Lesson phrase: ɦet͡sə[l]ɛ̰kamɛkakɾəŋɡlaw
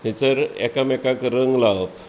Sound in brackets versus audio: incorrect: ɾ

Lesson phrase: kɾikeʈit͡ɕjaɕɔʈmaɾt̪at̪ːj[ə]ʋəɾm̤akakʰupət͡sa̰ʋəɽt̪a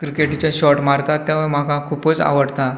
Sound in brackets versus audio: incorrect: a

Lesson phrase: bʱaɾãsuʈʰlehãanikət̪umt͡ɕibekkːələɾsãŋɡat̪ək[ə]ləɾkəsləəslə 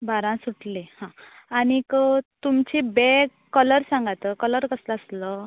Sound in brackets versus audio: correct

